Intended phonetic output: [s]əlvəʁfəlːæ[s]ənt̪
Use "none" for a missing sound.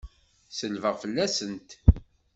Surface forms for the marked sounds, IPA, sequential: s, s

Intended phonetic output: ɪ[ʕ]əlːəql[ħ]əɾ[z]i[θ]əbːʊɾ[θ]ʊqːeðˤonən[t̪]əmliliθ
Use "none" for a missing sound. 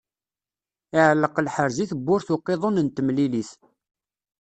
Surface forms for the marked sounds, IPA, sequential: ʕ, ħ, z, θ, θ, t̪

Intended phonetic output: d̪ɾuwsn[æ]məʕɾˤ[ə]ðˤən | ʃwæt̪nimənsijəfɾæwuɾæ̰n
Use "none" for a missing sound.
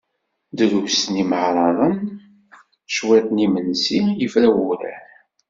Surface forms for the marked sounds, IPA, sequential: i, ɑ

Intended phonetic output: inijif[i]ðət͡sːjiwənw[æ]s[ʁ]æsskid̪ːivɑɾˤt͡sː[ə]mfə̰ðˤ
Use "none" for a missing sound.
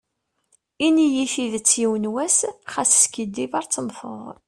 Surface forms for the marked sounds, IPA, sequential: i, æ, χ, ə

